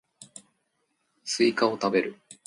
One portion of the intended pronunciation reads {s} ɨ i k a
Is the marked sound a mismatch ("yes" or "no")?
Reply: no